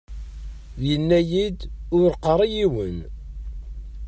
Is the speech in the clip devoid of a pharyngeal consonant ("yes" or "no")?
yes